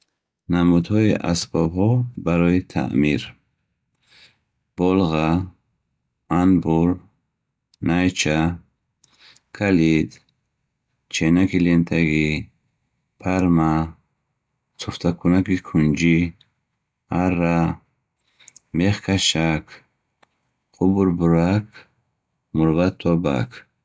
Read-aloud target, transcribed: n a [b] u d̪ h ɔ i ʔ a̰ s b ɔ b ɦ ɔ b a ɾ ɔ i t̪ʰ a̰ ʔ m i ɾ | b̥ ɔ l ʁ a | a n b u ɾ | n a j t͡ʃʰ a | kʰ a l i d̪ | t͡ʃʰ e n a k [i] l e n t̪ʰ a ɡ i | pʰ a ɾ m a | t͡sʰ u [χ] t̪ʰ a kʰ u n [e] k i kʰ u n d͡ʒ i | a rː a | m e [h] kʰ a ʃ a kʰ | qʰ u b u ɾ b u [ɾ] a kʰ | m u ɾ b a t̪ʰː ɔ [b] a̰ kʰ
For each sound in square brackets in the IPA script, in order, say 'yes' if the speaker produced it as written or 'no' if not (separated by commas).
no, yes, no, no, no, yes, yes